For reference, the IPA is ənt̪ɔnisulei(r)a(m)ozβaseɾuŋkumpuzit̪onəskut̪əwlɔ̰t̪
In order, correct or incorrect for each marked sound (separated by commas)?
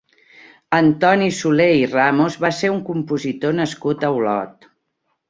correct, correct